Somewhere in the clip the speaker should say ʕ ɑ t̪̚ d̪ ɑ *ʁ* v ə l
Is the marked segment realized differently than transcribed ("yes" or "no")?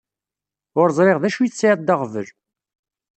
no